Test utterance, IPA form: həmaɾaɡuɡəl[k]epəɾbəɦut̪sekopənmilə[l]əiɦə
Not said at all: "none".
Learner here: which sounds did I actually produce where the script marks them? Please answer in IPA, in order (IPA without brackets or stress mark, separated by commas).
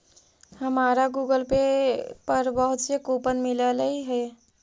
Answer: p, l